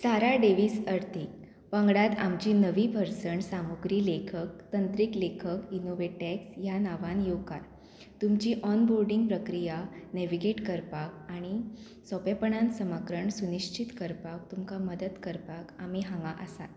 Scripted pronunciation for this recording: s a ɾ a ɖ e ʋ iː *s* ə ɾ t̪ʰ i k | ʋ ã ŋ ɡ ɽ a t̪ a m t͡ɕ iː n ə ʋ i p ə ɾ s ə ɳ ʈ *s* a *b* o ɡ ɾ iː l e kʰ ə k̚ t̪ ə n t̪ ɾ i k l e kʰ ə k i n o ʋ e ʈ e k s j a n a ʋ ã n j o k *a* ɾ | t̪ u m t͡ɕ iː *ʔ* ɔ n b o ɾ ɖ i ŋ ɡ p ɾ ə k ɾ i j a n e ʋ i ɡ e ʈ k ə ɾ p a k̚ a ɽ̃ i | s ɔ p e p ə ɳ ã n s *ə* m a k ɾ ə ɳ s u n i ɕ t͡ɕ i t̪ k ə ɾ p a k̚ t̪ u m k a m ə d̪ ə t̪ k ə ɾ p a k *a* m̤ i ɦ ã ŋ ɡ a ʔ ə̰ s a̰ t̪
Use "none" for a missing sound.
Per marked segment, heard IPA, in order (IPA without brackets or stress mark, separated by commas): s, s, m, a, ʔ, ə, a